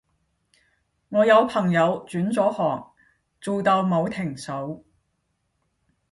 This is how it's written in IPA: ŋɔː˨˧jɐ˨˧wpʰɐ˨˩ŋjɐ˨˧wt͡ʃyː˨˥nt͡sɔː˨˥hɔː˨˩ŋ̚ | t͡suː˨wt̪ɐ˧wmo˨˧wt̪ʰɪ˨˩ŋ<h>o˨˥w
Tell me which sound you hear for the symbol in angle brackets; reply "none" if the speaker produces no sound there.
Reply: s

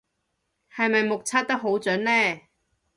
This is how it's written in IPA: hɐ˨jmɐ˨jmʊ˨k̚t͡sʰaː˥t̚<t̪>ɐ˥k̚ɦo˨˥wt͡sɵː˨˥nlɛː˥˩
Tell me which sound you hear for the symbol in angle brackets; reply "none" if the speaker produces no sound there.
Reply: t̪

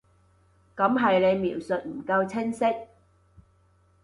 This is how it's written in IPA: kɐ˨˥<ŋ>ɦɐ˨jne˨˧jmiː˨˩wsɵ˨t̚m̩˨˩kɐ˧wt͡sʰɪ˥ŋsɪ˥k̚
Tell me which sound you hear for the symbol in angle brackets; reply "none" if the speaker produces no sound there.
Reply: m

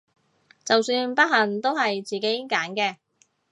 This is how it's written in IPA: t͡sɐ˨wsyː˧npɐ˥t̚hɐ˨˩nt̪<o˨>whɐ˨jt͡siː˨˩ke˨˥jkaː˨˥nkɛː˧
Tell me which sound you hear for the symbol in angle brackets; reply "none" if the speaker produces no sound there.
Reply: o˥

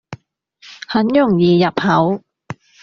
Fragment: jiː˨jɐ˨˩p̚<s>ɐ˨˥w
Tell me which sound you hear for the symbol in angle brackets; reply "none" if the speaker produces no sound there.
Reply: h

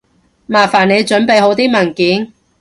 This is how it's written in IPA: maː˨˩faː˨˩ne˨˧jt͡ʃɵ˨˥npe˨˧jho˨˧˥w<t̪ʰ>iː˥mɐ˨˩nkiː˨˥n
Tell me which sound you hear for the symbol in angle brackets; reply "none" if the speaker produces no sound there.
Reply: t̪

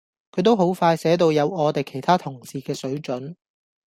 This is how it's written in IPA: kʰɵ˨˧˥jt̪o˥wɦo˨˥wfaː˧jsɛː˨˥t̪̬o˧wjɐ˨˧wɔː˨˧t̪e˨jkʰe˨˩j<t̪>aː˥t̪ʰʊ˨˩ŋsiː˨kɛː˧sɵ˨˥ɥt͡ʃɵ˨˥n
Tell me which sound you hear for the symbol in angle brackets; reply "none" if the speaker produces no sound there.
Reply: t̪ʰ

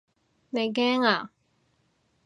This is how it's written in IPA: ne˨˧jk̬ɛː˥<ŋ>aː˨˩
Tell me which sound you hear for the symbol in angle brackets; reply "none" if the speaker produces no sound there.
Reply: ŋ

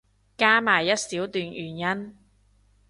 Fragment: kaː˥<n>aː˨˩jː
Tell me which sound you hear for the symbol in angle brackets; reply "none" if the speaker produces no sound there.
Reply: m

